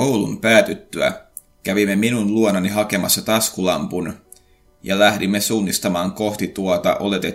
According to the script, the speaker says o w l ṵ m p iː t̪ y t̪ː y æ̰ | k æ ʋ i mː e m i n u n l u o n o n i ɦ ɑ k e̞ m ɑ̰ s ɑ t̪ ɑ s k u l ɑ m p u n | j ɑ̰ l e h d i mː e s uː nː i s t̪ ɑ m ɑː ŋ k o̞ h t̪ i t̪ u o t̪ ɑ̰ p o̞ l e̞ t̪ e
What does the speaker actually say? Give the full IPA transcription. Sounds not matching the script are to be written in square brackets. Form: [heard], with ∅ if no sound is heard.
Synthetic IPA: o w l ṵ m p [æː] t̪ y t̪ː y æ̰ | k æ ʋ i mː e m i n u n l u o n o n i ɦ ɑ k e̞ m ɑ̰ [sː] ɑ t̪ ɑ s k u l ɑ m p u n | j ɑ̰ l [æ] h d i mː e s uː nː i s t̪ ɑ m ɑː ŋ k o̞ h t̪ i t̪ u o t̪ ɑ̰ [ʔ] o̞ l e̞ t̪ e